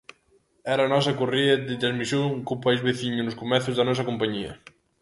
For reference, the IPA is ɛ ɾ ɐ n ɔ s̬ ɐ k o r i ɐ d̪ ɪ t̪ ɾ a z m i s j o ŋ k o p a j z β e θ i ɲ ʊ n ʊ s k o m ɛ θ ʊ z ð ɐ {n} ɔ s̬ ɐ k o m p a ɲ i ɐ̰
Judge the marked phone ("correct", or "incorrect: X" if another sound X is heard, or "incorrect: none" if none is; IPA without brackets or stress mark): correct